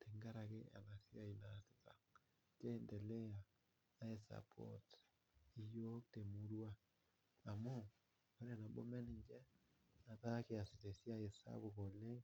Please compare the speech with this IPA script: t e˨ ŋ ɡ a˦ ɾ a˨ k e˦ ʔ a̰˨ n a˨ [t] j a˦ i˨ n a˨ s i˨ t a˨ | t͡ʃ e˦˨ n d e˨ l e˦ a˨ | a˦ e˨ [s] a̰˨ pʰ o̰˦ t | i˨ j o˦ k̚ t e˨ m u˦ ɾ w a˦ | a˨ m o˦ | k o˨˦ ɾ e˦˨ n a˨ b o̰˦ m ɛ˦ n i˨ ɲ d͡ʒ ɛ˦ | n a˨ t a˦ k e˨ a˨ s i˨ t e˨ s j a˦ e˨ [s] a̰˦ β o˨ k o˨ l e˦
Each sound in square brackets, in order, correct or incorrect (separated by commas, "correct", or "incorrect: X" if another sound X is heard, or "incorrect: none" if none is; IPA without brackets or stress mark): incorrect: s, correct, correct